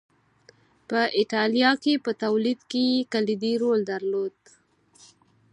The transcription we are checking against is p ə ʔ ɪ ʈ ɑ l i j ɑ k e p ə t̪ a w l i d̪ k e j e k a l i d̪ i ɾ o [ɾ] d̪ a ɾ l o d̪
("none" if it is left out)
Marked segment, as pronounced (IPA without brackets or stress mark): l